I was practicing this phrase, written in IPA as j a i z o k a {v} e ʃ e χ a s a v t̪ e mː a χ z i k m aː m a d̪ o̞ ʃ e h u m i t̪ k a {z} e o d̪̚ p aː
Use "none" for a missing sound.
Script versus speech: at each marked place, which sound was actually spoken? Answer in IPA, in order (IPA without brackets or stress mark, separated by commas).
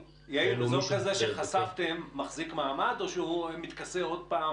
z, s